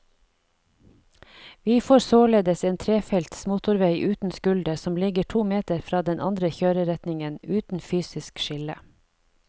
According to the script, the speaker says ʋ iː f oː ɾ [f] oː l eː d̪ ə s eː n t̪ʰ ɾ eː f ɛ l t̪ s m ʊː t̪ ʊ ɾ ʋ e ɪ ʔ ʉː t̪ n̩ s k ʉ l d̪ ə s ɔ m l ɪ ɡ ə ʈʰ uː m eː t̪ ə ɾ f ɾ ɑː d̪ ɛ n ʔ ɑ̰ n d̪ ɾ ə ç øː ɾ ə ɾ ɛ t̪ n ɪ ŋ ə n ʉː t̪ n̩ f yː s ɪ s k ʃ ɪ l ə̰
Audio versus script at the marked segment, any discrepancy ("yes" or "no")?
yes